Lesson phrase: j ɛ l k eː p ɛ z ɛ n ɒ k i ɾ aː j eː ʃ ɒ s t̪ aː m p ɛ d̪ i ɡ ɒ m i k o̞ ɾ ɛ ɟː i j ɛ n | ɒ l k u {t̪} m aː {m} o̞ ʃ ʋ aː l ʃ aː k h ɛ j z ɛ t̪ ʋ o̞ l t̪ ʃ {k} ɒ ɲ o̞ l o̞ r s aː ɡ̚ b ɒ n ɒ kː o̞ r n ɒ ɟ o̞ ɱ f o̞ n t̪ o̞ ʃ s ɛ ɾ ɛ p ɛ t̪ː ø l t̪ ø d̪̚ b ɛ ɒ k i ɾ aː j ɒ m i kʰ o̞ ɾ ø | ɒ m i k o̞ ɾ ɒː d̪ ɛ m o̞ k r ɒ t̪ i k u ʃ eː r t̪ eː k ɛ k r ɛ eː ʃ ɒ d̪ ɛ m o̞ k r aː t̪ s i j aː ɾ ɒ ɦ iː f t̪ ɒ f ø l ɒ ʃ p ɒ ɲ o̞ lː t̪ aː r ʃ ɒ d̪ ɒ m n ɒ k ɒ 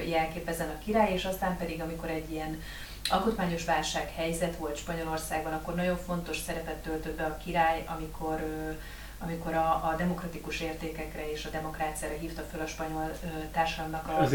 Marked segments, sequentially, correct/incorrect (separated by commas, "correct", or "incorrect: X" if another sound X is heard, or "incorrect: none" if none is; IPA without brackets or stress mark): correct, incorrect: ɲ, incorrect: p